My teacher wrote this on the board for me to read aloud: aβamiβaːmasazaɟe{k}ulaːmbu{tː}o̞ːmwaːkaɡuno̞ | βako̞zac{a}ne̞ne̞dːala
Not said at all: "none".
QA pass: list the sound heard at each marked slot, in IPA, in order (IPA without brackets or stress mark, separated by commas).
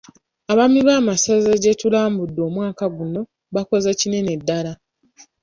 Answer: t, dː, i